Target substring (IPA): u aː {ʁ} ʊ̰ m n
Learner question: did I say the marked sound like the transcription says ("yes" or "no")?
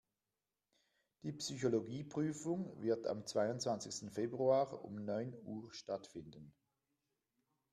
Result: yes